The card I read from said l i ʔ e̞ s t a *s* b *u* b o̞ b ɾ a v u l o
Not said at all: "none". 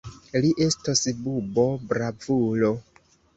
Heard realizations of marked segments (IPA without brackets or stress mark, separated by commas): s, u